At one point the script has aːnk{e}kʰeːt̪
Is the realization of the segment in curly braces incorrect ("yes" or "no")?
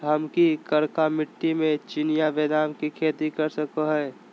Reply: yes